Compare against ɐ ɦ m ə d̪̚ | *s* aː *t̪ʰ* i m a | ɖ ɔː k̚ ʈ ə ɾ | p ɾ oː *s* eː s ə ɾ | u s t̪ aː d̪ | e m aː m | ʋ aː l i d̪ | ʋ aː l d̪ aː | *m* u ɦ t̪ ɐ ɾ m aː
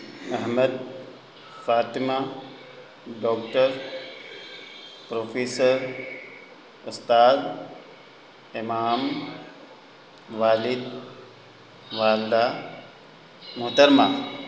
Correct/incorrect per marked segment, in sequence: incorrect: f, incorrect: t̪, incorrect: f, correct

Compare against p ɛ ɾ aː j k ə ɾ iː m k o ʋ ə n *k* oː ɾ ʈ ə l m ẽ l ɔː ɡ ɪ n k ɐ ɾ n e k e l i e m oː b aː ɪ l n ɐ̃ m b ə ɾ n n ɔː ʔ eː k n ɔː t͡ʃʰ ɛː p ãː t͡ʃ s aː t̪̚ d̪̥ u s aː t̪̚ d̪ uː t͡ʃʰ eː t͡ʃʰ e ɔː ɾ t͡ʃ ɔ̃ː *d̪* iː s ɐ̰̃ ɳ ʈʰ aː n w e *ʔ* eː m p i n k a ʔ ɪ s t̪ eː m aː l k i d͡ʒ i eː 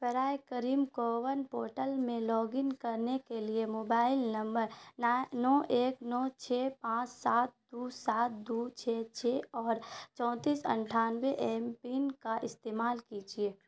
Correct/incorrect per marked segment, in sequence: incorrect: p, incorrect: t̪, correct

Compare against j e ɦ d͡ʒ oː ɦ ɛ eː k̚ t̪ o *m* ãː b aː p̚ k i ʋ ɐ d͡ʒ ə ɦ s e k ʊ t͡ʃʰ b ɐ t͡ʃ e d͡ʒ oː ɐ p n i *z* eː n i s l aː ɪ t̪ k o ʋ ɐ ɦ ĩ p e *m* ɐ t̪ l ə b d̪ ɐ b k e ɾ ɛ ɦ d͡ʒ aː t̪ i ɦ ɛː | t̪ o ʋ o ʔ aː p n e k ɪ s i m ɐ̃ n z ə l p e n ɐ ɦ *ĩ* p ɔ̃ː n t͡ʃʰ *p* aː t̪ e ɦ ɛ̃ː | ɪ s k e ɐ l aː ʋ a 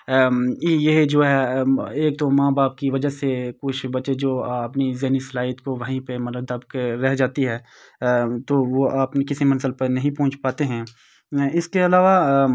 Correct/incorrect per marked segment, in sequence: correct, correct, correct, correct, correct

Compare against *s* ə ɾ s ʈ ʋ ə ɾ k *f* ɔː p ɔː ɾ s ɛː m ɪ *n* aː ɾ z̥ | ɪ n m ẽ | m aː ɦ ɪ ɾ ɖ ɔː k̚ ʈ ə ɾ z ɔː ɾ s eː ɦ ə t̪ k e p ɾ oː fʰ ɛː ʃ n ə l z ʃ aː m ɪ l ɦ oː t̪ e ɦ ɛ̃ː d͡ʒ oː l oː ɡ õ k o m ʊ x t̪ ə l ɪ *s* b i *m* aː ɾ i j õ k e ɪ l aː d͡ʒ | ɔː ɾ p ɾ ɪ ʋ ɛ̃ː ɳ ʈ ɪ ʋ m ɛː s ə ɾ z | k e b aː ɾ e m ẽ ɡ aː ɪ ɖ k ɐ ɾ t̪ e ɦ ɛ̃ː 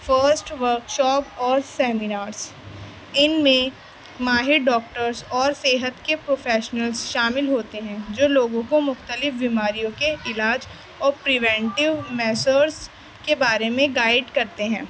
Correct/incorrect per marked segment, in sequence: incorrect: f, incorrect: ʃ, correct, incorrect: f, correct

